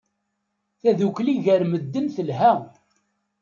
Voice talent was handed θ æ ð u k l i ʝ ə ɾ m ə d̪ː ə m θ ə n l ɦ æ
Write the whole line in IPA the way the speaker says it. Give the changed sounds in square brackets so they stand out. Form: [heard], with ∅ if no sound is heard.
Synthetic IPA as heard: θ æ ð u k l i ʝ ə ɾ m ə d̪ː ə [n] θ ə [∅] l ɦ æ